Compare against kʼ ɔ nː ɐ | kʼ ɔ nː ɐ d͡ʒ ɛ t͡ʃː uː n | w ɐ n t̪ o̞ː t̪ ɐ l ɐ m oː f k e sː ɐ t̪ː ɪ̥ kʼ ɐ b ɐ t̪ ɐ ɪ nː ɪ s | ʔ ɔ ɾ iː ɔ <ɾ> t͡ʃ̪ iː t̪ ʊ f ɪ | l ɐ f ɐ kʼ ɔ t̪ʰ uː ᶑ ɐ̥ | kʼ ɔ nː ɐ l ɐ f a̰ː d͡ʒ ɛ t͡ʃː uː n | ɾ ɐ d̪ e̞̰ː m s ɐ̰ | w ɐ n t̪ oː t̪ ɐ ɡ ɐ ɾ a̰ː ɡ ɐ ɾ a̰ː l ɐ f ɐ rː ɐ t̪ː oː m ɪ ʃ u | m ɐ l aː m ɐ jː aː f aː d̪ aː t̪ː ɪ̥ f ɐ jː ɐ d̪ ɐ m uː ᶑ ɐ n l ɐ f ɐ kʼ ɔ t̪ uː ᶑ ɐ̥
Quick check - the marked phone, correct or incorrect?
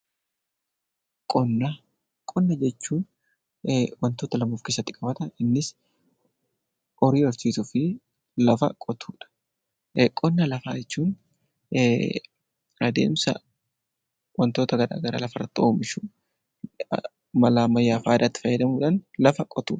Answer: correct